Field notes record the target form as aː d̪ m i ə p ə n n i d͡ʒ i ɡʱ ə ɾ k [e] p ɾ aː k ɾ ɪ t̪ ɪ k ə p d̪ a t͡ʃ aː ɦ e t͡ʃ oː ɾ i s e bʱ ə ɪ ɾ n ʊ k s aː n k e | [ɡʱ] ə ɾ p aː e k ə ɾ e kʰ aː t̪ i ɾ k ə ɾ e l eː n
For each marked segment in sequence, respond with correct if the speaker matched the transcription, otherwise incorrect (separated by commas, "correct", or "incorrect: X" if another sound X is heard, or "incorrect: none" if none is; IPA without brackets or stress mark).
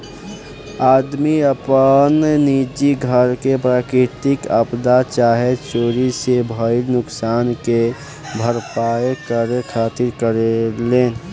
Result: correct, incorrect: bʱ